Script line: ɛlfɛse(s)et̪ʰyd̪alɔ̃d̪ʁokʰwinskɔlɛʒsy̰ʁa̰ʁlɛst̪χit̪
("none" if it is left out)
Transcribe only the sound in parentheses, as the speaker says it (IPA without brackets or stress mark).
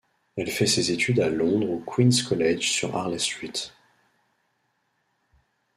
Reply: z